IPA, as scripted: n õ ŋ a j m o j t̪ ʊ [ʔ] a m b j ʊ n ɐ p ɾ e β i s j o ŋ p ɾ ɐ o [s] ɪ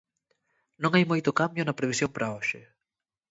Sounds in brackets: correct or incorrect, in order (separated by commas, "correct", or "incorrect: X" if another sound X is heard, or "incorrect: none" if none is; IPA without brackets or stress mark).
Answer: incorrect: k, incorrect: ʃ